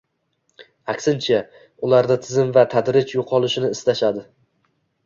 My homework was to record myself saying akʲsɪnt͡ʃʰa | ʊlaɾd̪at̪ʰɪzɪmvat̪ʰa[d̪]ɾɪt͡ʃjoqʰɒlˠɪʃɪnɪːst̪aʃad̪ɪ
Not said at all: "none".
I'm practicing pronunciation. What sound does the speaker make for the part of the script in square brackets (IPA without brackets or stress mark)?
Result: d̪